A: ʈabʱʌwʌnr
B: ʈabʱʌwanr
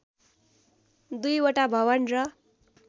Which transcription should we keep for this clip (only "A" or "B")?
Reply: A